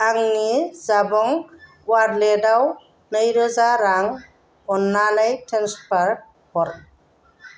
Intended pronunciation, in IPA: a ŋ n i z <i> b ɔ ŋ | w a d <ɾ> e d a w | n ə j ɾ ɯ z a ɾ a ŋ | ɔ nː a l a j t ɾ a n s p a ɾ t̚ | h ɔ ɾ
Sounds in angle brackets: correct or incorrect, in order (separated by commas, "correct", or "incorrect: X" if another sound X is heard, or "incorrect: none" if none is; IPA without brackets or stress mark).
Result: incorrect: a, incorrect: l